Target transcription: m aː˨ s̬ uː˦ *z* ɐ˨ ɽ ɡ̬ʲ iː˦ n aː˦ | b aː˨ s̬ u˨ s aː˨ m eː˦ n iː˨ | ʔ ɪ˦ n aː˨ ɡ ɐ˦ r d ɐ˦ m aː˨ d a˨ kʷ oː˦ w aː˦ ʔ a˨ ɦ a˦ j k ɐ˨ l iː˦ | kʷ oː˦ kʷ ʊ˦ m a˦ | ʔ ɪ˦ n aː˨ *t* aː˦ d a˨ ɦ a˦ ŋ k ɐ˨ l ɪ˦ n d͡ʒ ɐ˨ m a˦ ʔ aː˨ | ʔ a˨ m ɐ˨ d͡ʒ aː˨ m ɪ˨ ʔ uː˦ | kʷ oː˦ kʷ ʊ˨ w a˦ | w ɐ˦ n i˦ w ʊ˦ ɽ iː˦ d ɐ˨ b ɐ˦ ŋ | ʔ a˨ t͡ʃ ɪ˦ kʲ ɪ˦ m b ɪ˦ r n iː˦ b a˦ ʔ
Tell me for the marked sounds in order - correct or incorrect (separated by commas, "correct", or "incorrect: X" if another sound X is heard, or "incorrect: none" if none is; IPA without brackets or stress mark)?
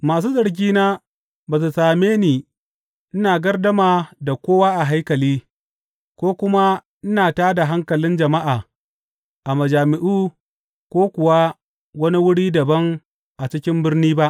correct, correct